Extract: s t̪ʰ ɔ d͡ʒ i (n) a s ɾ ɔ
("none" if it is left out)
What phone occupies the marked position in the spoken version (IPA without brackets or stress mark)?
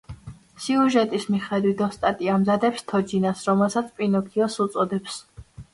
n